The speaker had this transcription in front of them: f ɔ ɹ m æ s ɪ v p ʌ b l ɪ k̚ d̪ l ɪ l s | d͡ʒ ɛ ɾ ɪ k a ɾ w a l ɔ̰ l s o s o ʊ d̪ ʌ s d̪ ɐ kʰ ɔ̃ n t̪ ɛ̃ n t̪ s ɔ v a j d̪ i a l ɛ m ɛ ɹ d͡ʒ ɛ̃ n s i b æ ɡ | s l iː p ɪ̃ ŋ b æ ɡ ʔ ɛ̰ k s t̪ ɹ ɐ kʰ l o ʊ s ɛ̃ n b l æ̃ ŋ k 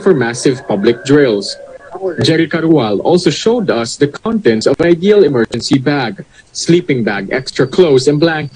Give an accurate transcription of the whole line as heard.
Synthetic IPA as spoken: f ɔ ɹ m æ s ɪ v p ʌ b l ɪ k̚ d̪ ɹ ɪ l s | d͡ʒ ɛ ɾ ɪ k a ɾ w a l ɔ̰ l s o ʃ o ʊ d̪ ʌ s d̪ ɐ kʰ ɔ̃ n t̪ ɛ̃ n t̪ s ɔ v a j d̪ i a l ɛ m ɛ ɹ d͡ʒ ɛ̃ n s i b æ ɡ | s l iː p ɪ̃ ŋ b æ ɡ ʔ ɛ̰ k s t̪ ɹ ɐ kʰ l o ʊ s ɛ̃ n b l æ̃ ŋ k